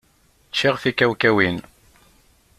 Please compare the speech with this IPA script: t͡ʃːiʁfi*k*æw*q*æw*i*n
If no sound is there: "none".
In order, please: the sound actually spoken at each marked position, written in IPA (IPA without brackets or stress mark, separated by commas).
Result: k, k, i